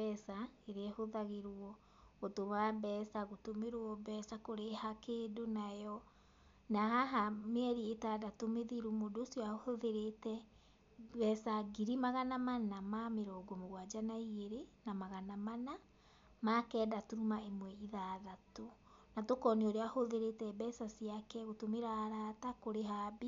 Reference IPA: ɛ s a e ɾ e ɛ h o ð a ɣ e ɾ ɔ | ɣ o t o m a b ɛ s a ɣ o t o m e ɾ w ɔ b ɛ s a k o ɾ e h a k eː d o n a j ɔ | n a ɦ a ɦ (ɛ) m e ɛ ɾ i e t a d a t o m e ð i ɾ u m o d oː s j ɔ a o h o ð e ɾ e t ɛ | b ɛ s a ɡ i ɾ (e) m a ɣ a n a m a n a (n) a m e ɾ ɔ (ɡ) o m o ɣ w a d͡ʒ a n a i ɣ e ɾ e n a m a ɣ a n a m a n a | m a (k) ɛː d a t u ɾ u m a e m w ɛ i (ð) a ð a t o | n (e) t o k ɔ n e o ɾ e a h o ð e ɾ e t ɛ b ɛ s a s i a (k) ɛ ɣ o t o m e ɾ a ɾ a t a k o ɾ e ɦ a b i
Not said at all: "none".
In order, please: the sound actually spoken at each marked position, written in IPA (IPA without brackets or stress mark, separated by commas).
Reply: a, i, m, ɡ, k, ð, a, k